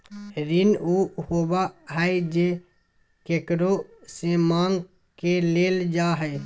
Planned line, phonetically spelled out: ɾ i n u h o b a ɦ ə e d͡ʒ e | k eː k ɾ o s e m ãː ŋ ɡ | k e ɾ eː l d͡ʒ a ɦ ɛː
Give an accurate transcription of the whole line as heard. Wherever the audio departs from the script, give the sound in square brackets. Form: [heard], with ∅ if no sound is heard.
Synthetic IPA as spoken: ɾ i n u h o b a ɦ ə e d͡ʒ e | k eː k ɾ o s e m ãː ŋ ɡ | k e [l] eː l d͡ʒ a ɦ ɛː